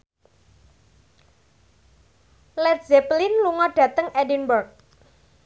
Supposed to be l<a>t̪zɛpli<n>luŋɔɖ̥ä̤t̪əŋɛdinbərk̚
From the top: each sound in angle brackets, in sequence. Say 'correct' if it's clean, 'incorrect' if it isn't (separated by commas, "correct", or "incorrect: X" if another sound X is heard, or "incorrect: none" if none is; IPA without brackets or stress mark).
incorrect: ɛ, correct